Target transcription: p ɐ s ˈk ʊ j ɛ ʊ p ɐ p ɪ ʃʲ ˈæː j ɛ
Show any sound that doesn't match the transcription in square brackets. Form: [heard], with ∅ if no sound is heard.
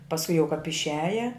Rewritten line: p ɐ s ˈk ʊ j ɛ ʊ [k] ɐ p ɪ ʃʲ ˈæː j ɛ